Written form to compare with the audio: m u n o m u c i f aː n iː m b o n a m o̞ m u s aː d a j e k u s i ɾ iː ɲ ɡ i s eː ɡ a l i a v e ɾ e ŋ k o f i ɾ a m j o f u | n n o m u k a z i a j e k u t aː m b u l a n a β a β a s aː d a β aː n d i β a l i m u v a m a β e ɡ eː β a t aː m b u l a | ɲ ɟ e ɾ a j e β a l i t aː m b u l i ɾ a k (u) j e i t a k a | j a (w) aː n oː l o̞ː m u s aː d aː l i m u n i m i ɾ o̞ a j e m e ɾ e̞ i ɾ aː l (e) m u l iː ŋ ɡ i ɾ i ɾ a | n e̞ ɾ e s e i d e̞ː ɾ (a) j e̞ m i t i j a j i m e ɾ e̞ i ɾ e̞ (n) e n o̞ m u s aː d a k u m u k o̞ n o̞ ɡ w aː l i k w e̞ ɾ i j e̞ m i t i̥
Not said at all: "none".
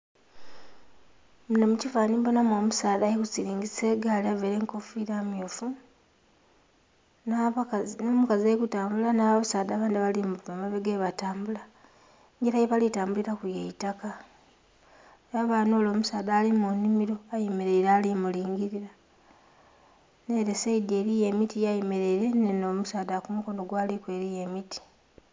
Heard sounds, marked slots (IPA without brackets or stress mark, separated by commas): u, β, i, i, n